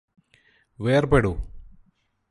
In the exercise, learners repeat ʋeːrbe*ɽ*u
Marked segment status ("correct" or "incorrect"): correct